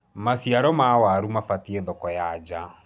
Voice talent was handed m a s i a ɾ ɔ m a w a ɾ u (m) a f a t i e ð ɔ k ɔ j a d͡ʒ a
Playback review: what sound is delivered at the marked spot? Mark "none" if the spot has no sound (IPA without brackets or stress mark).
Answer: m